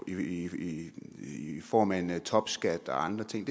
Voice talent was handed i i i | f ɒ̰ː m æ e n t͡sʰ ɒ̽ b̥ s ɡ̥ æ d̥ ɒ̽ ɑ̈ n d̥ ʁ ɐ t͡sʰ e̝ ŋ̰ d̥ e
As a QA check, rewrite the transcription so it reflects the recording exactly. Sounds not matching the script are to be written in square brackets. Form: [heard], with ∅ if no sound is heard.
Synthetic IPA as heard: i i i | f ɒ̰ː m æ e n t͡sʰ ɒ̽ b̥ s ɡ̥ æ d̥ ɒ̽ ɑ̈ n d̥ ʁ ɐ t͡sʰ e̝ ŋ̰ d̥ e

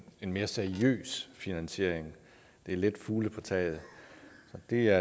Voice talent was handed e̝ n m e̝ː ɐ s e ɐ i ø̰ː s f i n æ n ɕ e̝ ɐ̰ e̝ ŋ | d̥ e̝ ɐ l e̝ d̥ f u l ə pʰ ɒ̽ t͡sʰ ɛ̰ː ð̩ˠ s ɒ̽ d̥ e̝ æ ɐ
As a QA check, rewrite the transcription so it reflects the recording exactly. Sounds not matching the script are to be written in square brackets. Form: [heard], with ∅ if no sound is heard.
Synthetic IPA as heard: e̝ n m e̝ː ɐ s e ɐ i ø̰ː s f i n æ n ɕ e̝ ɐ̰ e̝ ŋ | d̥ e̝ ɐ l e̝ d̥ f [uː] l ə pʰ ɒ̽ t͡sʰ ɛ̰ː ð̩ˠ s ɒ̽ d̥ e̝ æ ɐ

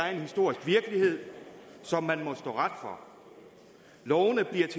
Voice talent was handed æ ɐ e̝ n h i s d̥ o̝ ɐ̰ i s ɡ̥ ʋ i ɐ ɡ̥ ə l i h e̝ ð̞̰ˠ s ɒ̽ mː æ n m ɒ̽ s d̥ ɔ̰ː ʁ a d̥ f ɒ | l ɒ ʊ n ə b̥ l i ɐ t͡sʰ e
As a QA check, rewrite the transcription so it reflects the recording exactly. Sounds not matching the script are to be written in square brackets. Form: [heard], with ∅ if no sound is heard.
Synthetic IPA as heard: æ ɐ e̝ n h i s d̥ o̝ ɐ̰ i s ɡ̥ ʋ i ɐ ɡ̥ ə l i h e̝ ð̞̰ˠ s ɒ̽ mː æ n m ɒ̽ s d̥ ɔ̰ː ʁ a d̥ f ɒ | l ɒ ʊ n ə b̥ l i ɐ t͡sʰ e

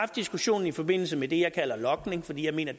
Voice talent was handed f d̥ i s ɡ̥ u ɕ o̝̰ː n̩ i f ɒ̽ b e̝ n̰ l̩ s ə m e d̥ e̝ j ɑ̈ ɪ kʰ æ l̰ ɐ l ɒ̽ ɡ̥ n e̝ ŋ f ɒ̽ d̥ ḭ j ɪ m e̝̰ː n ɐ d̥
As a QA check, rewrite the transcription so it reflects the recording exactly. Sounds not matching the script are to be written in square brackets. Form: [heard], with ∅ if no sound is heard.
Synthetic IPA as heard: f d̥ i s ɡ̥ u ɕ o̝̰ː n̩ i f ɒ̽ b e̝ n̰ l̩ s ə m e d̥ e̝ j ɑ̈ ɪ kʰ æ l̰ ɐ l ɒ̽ ɡ̥ n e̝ ŋ f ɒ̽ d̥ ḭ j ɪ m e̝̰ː n ɐ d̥

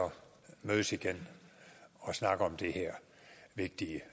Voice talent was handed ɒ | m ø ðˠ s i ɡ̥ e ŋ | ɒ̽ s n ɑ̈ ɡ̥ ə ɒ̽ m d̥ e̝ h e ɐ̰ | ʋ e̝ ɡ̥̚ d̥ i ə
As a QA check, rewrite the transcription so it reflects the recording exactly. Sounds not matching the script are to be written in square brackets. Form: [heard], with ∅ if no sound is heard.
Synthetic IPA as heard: ɒ | m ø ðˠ s i ɡ̥ e [n] | ɒ̽ s n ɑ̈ ɡ̥ ə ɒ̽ m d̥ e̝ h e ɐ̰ | ʋ e̝ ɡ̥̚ d̥ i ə

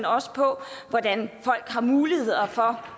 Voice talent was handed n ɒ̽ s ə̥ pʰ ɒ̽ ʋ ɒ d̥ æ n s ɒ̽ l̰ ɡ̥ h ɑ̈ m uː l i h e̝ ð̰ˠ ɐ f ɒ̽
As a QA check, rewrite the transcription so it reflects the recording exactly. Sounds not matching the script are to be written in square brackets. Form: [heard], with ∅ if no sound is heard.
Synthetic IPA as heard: n ɒ̽ s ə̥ pʰ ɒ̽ ʋ ɒ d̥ æ n [f] ɒ̽ l̰ ɡ̥ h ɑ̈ m uː l i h e̝ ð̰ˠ ɐ f ɒ̽

